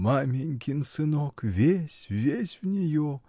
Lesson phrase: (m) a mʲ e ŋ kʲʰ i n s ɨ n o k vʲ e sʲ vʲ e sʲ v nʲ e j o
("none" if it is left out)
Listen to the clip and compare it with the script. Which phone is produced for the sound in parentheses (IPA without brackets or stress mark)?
m